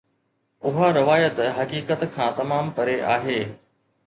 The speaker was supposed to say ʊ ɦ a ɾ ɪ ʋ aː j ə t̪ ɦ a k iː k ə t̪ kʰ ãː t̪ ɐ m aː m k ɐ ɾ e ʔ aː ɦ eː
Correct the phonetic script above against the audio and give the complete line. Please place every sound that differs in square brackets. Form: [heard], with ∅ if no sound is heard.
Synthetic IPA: ʊ ɦ a ɾ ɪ ʋ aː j ə t̪ ɦ [ɐ] k iː k ə t̪ kʰ ãː t̪ ɐ m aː m [p] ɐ ɾ e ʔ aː ɦ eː